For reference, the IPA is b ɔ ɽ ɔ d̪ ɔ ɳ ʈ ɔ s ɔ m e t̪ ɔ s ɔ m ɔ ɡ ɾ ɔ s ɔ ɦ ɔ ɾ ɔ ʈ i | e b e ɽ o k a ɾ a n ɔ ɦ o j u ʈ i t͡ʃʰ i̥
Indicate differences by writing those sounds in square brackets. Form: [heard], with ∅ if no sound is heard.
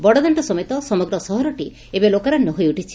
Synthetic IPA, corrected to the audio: b ɔ ɽ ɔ d̪ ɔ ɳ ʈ ɔ s ɔ m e t̪ ɔ s ɔ m ɔ ɡ ɾ ɔ s ɔ ɦ ɔ ɾ ɔ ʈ i | e b e [l] o k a ɾ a n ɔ ɦ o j u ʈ i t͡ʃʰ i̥